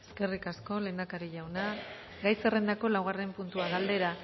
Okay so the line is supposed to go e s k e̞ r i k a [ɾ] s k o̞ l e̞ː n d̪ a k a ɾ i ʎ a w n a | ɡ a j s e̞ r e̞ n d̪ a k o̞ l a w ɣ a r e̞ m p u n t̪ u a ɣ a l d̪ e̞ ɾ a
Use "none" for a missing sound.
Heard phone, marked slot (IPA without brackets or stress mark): none